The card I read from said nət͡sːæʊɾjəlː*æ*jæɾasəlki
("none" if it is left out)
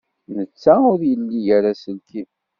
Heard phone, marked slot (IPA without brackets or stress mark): i